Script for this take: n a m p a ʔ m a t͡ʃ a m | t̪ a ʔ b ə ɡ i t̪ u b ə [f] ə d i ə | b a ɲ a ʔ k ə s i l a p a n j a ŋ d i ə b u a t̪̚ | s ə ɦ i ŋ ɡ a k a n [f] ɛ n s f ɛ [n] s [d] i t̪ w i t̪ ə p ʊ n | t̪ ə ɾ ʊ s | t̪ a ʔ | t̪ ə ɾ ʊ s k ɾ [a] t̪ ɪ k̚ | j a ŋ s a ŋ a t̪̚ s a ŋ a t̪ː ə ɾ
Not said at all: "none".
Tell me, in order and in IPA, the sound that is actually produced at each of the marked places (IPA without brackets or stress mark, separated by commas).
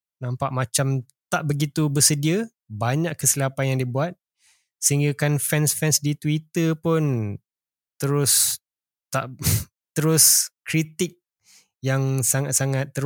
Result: s, f, n, d, i